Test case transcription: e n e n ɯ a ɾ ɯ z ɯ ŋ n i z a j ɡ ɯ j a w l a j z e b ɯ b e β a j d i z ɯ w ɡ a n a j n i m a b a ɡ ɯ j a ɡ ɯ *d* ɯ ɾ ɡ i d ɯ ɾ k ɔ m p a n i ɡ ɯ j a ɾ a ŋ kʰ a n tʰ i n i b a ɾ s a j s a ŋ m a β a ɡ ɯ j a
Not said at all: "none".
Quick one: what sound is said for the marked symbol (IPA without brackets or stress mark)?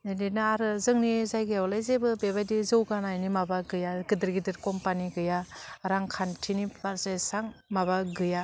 d